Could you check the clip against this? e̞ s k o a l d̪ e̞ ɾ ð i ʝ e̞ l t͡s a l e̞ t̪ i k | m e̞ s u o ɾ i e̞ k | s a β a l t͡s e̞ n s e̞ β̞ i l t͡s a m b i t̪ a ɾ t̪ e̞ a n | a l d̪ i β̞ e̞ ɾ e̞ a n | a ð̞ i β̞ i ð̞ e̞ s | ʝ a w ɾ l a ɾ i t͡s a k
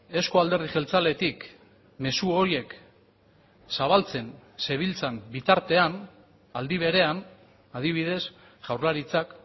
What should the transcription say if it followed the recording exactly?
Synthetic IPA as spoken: e̞ s k o a l d̪ e̞ ɾ ð i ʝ e̞ l t͡s a l e̞ t̪ i k | m e̞ s u o ɾ i e̞ k | s a β a l t͡s e̞ n s e̞ β̞ i l t͡s a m b i t̪ a ɾ t̪ e̞ a n | a l d̪ i β̞ e̞ ɾ e̞ a n | a ð̞ i β̞ i ð̞ e̞ s | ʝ a w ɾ l a ɾ i t͡s a k

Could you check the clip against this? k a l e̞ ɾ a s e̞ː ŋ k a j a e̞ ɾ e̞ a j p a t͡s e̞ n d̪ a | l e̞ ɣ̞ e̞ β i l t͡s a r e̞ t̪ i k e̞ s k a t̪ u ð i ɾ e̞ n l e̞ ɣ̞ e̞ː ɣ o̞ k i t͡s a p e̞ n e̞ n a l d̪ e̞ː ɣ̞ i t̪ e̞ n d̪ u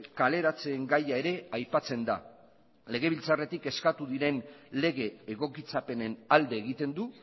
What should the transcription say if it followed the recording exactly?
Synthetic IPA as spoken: k a l e̞ ɾ a t͡s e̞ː ŋ ɡ a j a e̞ ɾ e̞ a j p a t͡s e̞ n d̪ a | l e̞ ɣ̞ e̞ β i l t͡s a r e̞ t̪ i k e̞ s k a t̪ u ð i ɾ e̞ n l e̞ ɣ̞ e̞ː ɣ o̞ k i t͡s a p e̞ n e̞ n a l d̪ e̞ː ɣ̞ i t̪ e̞ n d̪ u

